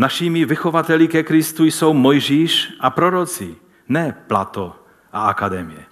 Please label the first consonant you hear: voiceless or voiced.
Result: voiced